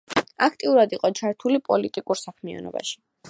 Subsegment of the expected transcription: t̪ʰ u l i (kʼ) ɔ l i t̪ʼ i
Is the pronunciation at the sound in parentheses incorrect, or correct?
incorrect